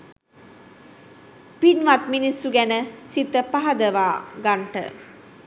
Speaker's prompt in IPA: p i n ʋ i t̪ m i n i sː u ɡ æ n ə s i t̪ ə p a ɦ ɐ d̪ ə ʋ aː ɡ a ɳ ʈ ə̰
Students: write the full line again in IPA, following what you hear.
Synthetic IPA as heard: p i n ʋ a t̪ m i n i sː u ɡ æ n ə s i t̪ ə p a ɦ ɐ d̪ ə ʋ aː ɡ a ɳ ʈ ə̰